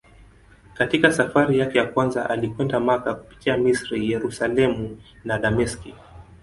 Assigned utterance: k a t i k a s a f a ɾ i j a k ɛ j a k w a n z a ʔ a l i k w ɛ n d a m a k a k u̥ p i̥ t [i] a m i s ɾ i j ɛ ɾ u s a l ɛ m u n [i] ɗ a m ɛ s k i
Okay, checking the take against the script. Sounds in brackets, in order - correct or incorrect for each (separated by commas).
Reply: correct, incorrect